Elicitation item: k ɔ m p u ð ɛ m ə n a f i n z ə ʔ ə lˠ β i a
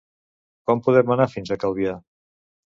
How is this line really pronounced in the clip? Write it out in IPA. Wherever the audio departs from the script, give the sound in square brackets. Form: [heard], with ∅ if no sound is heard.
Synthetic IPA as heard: k ɔ m p u ð ɛ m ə n a f i n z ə [k] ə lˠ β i a